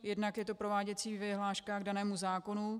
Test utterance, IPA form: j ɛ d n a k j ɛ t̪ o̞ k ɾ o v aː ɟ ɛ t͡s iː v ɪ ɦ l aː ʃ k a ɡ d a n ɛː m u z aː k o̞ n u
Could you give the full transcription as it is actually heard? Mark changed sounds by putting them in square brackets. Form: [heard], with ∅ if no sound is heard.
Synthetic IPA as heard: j ɛ d n a k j ɛ t̪ o̞ [p] ɾ o v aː ɟ ɛ t͡s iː v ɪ ɦ l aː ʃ k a ɡ d a n ɛː m u z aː k o̞ n u